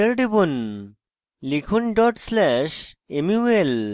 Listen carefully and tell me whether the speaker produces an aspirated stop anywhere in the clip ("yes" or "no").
yes